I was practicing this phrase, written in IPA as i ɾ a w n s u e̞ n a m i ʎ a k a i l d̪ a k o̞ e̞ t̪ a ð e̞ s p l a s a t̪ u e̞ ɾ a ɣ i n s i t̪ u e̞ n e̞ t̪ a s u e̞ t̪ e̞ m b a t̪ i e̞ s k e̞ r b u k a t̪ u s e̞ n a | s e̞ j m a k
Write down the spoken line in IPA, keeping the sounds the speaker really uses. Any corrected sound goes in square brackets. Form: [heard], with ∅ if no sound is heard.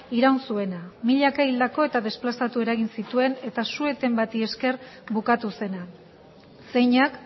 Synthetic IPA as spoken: i ɾ a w n s u e̞ n a m i ʎ a k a i l d̪ a k o̞ e̞ t̪ a ð e̞ s p l a s a t̪ u e̞ ɾ a ɣ i n s i t̪ u e̞ n e̞ t̪ a s u e̞ t̪ e̞ m b a t̪ i e̞ s k e̞ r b u k a t̪ u s e̞ n a | s e̞ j [ɲ] a k